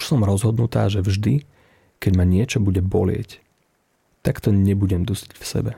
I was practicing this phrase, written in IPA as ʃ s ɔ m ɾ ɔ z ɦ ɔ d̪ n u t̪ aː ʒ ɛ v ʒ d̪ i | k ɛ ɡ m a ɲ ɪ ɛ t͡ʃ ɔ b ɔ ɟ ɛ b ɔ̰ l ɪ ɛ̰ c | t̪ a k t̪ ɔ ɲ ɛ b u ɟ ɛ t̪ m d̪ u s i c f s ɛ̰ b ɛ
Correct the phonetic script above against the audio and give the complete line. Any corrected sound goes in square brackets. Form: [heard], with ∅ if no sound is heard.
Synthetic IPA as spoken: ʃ s ɔ m ɾ ɔ z ɦ ɔ d̪ n u t̪ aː ʒ ɛ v ʒ d̪ i | k ɛ [ɟ] m a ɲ ɪ ɛ t͡ʃ ɔ b [u] ɟ ɛ b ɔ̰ l ɪ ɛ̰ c | t̪ a k t̪ ɔ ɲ ɛ b u ɟ ɛ [∅] m d̪ u s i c f s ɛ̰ b ɛ